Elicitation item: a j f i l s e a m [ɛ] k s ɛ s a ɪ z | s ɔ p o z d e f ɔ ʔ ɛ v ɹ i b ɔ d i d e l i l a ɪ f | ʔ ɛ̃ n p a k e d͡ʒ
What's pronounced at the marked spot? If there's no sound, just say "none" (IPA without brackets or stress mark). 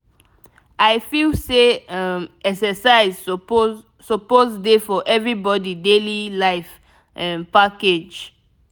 ɛ